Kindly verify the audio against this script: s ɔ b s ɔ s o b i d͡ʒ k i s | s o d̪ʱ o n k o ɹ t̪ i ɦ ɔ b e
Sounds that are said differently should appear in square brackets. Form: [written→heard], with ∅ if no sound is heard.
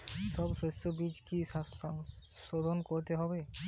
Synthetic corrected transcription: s ɔ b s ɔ s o b i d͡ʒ k i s | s o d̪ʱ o n k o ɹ t̪ [i→e] ɦ ɔ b e